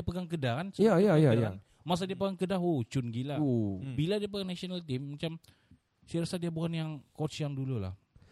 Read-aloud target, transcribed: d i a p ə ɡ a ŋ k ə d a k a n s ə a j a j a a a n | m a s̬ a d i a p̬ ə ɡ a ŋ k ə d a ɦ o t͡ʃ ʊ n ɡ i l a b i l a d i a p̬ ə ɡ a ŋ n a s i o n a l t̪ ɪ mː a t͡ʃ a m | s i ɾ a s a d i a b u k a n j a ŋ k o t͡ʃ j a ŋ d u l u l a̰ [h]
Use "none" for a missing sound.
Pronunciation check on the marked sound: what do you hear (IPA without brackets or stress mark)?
h